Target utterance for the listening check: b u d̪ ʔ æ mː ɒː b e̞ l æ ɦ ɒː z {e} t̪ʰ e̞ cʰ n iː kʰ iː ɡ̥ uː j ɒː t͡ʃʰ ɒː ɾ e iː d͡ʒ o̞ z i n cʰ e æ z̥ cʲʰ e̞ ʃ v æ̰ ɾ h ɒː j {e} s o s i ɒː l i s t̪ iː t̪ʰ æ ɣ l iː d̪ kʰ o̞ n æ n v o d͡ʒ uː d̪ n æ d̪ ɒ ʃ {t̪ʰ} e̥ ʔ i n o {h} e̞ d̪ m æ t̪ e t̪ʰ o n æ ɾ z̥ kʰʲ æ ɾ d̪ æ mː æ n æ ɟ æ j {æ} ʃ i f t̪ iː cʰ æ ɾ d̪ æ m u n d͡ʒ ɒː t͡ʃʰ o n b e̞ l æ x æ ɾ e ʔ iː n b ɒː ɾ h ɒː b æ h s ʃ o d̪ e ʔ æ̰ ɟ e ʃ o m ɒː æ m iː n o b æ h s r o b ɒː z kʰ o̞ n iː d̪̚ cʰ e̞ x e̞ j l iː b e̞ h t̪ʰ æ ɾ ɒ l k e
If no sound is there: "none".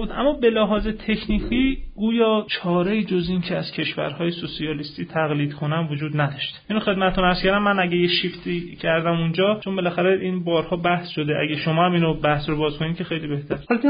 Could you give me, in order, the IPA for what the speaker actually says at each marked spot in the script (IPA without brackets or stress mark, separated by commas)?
e, e, t̪, x, e